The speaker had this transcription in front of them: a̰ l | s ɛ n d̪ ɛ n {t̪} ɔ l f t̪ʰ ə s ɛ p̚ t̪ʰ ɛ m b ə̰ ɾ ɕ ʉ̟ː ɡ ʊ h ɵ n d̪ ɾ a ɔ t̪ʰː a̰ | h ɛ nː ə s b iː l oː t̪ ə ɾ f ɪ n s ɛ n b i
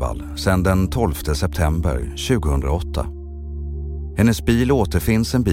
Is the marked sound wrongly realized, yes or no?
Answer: yes